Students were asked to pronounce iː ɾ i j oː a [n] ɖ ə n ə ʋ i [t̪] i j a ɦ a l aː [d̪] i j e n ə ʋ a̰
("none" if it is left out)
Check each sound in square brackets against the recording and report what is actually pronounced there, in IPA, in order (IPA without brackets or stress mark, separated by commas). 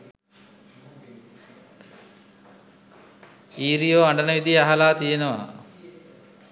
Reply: ɳ, d̪, t̪